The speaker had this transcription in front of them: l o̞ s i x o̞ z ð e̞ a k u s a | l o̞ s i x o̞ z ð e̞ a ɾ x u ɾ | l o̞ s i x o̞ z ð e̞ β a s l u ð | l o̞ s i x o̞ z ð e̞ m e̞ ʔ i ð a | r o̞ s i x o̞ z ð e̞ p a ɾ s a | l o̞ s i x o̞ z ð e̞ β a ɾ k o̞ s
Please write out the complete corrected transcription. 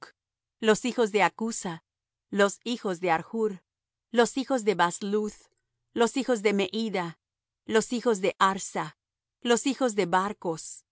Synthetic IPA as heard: l o̞ s i x o̞ z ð e̞ a k u s a | l o̞ s i x o̞ z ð e̞ a ɾ x u ɾ | l o̞ s i x o̞ z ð e̞ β a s l u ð | l o̞ s i x o̞ z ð e̞ m e̞ ʔ i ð a | l o̞ s i x o̞ z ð e̞ ʔ a ɾ s a | l o̞ s i x o̞ z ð e̞ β a ɾ k o̞ s